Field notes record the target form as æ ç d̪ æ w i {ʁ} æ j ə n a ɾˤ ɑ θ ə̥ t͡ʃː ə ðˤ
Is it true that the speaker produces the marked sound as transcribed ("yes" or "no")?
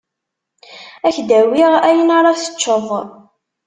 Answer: yes